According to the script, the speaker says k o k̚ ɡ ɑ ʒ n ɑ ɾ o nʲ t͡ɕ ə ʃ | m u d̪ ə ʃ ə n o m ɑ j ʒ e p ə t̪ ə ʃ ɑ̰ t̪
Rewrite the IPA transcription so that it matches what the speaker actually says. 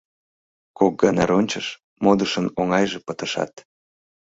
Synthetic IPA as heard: k o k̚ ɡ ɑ n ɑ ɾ o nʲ t͡ɕ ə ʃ | m o d̪ ə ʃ ə n o ŋ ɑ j ʒ e p ə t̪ ə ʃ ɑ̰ t̪